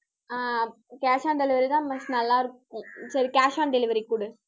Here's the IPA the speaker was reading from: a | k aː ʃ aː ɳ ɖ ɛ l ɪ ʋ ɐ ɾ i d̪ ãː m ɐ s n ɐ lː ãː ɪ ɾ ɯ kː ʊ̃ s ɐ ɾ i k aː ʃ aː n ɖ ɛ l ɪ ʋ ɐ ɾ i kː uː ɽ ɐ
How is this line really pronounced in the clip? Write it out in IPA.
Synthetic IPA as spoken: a | k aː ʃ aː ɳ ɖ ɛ l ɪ ʋ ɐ ɾ i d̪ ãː m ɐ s n ɐ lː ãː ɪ ɾ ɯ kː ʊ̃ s ɐ ɾ i k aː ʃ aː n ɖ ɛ l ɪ ʋ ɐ ɾ i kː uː ɽ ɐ